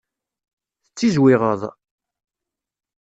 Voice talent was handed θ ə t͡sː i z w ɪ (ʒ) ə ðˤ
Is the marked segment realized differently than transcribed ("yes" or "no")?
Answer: yes